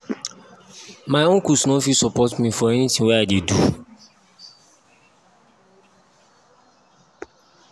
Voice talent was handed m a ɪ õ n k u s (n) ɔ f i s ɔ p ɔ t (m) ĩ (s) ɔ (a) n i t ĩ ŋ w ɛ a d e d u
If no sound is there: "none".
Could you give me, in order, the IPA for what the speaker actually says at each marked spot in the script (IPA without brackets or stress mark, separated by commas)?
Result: n, m, f, ɛ